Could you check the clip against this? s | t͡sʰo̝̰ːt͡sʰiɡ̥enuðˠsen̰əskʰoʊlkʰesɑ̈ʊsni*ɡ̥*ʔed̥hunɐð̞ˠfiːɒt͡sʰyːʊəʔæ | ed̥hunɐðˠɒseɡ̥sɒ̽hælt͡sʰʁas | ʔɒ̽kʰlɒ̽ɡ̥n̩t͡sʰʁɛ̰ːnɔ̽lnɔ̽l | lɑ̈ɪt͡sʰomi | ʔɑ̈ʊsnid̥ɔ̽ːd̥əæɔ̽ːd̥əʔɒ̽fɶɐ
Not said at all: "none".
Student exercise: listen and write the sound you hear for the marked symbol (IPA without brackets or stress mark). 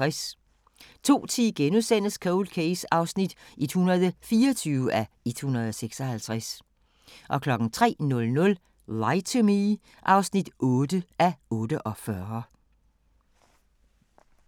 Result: d̥